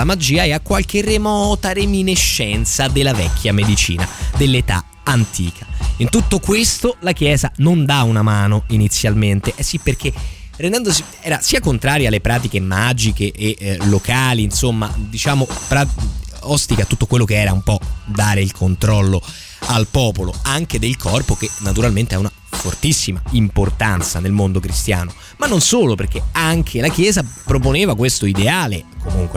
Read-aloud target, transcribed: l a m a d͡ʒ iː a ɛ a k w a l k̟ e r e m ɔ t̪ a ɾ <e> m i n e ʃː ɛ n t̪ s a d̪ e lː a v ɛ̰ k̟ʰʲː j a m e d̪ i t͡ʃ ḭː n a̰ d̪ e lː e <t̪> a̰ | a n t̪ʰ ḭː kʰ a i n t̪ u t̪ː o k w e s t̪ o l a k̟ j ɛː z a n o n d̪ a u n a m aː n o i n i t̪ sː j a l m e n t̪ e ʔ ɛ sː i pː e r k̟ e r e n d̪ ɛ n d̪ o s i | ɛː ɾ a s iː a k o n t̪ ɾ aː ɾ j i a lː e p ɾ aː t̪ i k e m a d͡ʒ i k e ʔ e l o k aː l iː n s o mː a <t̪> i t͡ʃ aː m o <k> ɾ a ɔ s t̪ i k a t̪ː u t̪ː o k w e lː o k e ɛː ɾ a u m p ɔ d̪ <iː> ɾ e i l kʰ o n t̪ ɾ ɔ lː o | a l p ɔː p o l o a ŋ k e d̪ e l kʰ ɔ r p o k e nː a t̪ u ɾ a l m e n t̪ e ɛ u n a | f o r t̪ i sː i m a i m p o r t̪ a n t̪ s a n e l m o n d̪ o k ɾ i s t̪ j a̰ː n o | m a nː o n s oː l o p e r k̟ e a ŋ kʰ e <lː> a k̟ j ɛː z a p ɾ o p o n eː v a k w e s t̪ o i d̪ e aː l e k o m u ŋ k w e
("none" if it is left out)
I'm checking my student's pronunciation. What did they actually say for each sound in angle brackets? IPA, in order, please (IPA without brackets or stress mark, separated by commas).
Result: e, t̪, d̪, p, aː, l